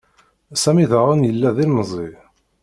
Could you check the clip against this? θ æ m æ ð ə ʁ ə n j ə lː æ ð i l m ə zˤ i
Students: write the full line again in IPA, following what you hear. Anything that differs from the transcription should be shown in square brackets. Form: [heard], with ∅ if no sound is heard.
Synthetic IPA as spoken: [s] æ m [i] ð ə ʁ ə n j ə lː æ ð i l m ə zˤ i